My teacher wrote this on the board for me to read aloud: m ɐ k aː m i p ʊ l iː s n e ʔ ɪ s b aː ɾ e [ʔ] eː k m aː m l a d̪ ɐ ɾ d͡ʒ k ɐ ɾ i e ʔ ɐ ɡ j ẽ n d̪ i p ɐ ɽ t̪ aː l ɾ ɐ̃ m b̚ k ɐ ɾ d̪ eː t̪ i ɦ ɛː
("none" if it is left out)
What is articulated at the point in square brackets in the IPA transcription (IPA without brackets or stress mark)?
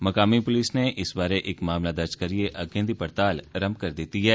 ʔ